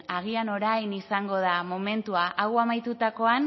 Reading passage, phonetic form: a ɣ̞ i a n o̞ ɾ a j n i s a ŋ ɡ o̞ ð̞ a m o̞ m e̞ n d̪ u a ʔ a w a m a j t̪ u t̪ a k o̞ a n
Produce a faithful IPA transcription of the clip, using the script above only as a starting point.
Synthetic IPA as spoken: a ɣ̞ i a n o̞ ɾ a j n i s a ŋ ɡ o̞ ð̞ a m o̞ m e̞ n t̪ u a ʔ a w a m a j t̪ u t̪ a k o̞ a n